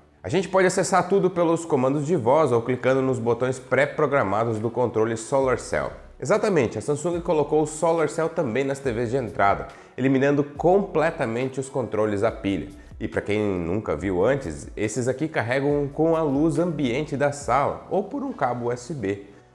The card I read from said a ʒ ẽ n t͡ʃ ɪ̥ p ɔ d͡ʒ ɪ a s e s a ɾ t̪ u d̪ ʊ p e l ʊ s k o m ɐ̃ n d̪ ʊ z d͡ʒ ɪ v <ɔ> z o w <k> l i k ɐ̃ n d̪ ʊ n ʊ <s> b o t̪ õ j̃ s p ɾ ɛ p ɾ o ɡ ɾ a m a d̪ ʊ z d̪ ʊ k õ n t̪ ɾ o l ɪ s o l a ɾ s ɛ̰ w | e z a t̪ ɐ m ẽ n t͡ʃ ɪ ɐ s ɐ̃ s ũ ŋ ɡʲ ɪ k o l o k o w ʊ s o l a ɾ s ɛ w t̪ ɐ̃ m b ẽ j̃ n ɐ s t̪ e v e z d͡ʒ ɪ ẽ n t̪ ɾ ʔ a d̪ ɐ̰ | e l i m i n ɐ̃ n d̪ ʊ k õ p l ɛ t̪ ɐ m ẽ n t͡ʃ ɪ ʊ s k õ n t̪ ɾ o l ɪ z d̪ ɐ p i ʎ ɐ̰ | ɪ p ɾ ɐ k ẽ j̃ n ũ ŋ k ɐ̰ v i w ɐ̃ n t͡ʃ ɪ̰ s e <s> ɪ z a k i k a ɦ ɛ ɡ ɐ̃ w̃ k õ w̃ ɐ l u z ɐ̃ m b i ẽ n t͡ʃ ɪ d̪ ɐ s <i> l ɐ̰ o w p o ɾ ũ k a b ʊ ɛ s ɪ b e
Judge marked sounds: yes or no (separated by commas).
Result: yes, yes, no, yes, no